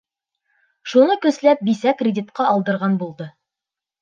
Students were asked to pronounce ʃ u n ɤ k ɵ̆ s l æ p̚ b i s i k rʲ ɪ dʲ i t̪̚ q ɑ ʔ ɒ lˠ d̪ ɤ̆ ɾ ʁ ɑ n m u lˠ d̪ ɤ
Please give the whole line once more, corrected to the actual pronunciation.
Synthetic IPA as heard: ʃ u n ɤ k ɵ̆ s l æ p̚ b i s æ k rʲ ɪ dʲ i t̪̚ q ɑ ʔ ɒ lˠ d̪ ɤ̆ ɾ ʁ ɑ n b u lˠ d̪ ɤ